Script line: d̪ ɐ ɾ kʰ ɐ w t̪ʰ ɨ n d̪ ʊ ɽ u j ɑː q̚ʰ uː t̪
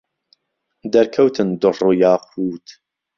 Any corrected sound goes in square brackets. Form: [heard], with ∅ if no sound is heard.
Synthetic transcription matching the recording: d̪ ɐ ɾ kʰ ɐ w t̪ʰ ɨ n d̪ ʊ [r] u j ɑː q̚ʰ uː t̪